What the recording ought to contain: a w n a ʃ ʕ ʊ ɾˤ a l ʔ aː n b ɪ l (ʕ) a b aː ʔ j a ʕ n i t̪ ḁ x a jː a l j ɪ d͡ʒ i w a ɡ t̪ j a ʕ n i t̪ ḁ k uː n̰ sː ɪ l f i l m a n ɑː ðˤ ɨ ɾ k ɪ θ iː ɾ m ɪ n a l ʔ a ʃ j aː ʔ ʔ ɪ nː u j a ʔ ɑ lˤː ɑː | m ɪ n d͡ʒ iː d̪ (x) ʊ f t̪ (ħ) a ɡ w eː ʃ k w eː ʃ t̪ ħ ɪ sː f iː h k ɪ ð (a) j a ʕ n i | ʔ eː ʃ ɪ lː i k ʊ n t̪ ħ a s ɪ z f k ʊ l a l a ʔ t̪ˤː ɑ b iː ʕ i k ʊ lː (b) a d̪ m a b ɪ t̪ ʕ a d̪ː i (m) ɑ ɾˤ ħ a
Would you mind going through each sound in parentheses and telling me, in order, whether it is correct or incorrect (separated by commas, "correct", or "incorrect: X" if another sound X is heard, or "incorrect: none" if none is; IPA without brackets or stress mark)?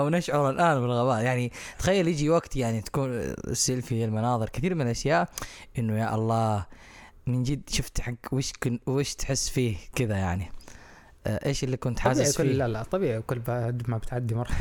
incorrect: ɣ, incorrect: ʃ, correct, correct, correct, correct